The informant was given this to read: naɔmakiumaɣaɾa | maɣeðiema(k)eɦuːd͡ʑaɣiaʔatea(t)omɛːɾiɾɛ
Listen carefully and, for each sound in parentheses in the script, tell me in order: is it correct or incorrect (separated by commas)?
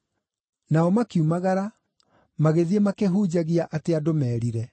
correct, incorrect